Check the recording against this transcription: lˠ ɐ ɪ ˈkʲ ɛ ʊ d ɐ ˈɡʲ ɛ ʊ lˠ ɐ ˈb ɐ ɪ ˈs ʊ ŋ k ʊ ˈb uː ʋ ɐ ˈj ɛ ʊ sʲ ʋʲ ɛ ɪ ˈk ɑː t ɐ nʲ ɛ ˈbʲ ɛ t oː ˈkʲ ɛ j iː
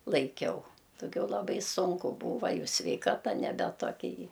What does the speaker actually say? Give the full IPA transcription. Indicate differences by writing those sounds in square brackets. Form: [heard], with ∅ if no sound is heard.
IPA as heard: lˠ ɐ ɪ ˈkʲ ɛ ʊ d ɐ ˈɡʲ ɛ ʊ lˠ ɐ ˈb ɐ ɪ ˈs ʊ ŋ k ʊ ˈb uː ʋ ɐ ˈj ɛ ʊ sʲ ʋʲ ɛ ɪ ˈk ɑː t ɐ nʲ ɛ ˈbʲ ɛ t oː ˈkʲ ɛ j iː